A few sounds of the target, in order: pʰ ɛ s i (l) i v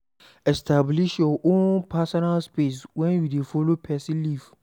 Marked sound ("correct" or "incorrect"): correct